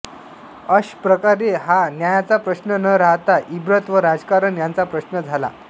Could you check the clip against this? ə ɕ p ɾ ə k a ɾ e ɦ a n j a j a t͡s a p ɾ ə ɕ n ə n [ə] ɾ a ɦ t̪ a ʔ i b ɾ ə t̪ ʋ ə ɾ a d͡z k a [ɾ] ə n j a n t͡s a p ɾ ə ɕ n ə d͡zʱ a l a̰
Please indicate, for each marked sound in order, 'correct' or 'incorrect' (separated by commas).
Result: correct, correct